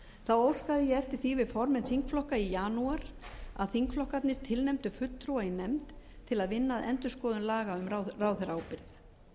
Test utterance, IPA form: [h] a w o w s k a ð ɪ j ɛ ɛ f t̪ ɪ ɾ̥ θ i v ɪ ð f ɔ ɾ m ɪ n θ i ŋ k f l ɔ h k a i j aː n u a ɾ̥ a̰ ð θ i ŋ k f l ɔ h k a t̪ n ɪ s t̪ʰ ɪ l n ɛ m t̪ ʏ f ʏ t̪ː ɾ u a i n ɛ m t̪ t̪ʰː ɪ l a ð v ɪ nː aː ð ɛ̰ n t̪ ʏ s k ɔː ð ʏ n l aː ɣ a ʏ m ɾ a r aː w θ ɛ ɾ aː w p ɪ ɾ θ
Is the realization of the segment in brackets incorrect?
yes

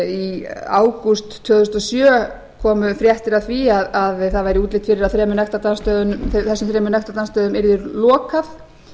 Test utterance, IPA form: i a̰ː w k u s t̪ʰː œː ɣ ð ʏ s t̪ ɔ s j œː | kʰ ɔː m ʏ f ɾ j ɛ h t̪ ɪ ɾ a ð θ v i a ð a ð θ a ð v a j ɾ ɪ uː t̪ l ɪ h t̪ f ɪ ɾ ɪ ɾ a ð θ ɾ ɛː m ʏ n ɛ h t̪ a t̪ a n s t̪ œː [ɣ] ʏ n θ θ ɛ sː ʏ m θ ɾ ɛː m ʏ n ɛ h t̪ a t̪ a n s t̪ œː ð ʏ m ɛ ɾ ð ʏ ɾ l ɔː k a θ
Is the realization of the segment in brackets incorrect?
yes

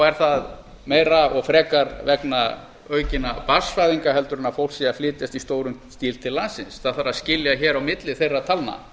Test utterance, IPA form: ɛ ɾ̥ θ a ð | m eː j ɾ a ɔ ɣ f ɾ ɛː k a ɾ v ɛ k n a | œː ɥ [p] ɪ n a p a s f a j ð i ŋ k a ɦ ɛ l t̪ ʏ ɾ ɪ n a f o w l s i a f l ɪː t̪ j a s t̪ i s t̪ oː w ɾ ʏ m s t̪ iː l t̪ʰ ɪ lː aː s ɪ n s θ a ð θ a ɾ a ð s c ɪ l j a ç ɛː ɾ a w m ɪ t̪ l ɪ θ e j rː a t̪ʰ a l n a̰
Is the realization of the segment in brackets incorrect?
yes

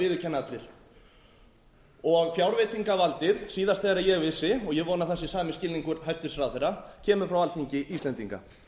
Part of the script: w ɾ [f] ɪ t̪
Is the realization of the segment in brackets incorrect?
yes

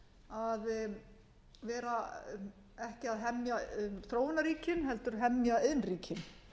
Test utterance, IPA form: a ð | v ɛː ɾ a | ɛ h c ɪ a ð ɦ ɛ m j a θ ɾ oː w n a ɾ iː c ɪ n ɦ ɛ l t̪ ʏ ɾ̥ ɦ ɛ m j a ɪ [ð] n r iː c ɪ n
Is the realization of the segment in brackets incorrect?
no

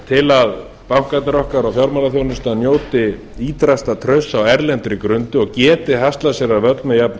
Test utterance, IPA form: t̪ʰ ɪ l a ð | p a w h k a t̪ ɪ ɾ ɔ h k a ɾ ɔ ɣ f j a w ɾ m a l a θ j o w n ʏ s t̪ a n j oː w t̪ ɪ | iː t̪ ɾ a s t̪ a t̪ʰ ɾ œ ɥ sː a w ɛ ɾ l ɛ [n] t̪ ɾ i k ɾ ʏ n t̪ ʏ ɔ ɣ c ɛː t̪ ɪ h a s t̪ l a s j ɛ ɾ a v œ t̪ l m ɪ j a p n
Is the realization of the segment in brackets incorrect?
no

